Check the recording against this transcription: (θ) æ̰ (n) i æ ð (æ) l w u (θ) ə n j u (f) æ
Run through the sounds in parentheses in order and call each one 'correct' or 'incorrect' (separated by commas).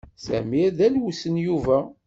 incorrect, incorrect, correct, incorrect, incorrect